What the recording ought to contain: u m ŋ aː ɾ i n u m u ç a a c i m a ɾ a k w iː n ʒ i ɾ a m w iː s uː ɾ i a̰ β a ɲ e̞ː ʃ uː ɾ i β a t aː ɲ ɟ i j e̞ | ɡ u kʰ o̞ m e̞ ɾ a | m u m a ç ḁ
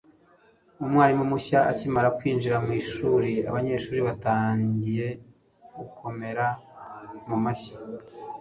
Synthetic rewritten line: u m ŋ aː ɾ i m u m u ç a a c i m a ɾ a k w iː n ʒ i ɾ a m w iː ʃ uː ɾ i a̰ β a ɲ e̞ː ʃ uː ɾ i β a t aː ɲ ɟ i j e̞ | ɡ u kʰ o̞ m e̞ ɾ a | m u m a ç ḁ